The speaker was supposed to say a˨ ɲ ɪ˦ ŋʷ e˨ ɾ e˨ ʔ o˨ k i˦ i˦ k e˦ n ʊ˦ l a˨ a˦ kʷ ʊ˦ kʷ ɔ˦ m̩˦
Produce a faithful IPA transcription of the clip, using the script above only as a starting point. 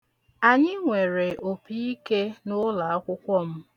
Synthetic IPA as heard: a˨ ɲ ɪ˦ ŋʷ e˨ ɾ e˨ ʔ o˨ p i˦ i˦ k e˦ n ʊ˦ l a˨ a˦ kʷ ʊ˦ kʷ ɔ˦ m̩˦